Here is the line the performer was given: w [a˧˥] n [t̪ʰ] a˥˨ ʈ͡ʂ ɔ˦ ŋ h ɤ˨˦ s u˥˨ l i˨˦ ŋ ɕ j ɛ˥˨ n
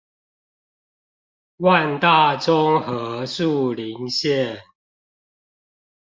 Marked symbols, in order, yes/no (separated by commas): no, no